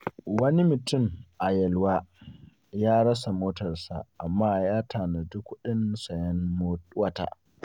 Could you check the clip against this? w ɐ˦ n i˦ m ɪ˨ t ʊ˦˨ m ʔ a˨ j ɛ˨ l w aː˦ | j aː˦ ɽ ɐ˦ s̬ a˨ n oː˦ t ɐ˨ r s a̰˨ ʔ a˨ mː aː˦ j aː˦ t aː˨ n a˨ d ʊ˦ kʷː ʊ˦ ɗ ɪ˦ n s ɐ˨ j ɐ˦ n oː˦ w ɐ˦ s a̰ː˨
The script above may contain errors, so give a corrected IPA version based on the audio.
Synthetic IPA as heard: w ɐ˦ n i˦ m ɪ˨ t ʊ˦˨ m ʔ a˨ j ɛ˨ l w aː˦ | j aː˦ ɽ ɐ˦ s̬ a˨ m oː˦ t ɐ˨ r s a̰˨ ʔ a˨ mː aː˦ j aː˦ t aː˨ n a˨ d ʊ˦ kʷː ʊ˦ ɗ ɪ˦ n s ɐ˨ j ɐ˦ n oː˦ w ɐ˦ t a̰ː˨